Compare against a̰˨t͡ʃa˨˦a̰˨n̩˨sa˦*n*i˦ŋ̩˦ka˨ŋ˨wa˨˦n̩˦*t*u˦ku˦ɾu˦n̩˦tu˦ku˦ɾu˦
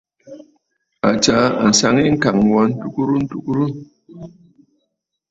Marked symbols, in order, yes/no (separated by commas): no, yes